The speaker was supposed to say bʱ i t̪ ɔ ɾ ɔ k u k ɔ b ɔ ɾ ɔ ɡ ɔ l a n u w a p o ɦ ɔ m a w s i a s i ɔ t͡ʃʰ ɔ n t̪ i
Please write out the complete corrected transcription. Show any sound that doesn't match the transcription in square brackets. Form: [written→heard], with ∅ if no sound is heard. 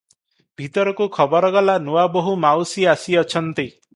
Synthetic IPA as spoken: bʱ i t̪ ɔ ɾ ɔ k u [k→kʰ] ɔ b ɔ ɾ ɔ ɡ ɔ l a n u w a [p→b] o ɦ [ɔ→u] m a w s i a s i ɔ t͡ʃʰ ɔ n t̪ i